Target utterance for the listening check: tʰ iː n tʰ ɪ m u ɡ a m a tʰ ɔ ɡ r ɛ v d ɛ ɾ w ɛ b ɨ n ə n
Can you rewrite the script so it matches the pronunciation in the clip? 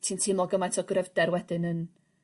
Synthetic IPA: tʰ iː n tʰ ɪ m ɔ ɡ ə m a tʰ ɔ ɡ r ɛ v d ɛ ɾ w ɛ d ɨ n ə n